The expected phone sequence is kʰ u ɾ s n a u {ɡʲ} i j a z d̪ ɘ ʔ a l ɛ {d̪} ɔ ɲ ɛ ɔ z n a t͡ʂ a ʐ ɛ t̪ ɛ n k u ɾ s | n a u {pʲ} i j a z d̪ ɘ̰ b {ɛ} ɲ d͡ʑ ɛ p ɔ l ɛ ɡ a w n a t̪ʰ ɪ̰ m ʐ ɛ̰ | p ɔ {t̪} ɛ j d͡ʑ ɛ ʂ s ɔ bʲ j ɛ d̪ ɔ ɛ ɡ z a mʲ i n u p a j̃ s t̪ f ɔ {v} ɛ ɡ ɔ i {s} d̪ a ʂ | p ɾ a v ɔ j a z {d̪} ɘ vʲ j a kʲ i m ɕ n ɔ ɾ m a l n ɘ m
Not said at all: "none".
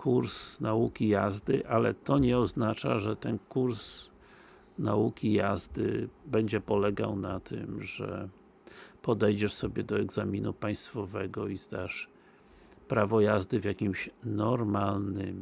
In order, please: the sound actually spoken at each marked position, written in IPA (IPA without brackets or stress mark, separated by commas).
kʲ, t̪, kʲ, ɛ, d̪, v, z, d̪